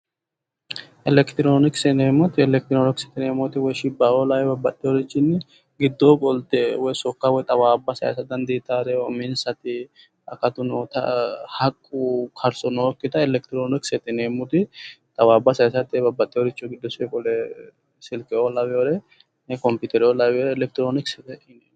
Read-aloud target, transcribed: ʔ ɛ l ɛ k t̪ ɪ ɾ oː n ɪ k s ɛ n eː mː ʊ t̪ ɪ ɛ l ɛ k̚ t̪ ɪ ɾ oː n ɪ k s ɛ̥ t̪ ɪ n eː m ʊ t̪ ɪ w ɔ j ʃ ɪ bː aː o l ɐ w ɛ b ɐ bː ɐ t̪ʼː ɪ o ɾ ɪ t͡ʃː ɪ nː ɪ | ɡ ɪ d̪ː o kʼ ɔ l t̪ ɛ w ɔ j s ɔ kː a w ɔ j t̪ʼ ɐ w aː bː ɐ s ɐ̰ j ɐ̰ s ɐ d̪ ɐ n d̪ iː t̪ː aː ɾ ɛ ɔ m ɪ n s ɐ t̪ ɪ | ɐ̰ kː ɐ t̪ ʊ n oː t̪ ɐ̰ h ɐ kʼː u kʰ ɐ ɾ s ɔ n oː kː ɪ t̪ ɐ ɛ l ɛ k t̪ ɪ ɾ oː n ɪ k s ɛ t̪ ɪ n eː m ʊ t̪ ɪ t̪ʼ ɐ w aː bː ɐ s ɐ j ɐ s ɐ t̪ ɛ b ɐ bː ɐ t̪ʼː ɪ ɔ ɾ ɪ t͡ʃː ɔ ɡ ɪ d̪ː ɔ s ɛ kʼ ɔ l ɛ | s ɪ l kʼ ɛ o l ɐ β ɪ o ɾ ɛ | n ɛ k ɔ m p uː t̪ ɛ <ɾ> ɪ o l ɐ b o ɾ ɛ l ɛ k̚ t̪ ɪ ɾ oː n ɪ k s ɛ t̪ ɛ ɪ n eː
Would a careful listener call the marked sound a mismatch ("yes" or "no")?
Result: no